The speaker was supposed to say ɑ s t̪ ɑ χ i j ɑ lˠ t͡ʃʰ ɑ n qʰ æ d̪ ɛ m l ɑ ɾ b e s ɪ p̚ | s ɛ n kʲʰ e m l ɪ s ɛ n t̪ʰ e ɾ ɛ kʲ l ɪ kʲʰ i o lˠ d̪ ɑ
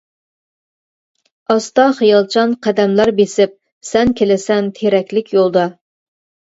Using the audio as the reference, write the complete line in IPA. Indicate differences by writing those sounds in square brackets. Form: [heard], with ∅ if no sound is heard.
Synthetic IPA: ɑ s t̪ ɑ χ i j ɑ lˠ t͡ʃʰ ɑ n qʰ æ d̪ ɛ m l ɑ ɾ b e s ɪ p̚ | s ɛ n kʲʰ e [∅] l ɪ s ɛ n t̪ʰ e ɾ ɛ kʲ l ɪ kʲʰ [j] o lˠ d̪ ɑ